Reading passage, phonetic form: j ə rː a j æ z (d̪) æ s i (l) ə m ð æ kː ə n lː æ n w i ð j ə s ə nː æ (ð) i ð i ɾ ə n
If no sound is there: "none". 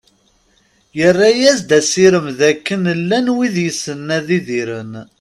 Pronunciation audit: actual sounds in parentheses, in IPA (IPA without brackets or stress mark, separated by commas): d̪, ɾ, ð